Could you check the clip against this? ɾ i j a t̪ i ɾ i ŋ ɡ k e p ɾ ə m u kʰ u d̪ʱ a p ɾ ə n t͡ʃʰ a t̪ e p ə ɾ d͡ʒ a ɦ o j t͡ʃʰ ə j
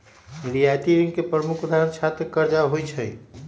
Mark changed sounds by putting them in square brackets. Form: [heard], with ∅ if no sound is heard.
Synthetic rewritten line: ɾ i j a t̪ i ɾ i ŋ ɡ k e p ɾ ə m u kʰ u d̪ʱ a [∅] ɾ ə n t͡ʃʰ a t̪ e [k] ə ɾ d͡ʒ a ɦ o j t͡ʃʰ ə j